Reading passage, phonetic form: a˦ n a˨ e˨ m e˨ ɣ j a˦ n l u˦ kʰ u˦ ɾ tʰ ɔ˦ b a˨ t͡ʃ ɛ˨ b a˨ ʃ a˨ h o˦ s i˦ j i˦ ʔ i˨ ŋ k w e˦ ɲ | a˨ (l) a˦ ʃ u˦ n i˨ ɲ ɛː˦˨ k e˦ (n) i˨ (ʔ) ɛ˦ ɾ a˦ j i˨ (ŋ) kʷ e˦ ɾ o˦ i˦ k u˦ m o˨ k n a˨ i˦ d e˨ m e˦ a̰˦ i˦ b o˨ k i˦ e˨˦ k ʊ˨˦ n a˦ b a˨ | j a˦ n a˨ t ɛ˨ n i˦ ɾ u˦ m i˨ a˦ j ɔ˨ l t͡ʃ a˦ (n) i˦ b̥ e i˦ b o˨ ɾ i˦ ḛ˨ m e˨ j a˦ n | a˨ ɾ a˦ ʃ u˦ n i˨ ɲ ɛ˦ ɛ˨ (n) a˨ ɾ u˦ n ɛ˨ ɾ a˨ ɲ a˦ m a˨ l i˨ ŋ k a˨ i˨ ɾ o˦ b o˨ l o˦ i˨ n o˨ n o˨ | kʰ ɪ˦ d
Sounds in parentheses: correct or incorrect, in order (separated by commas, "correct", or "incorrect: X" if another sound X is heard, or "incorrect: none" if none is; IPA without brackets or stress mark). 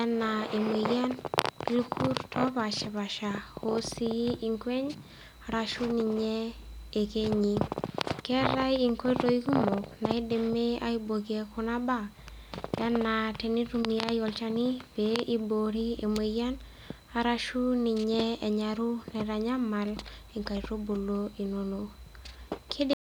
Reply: incorrect: ɾ, incorrect: ɲ, incorrect: k, correct, correct, incorrect: ɲ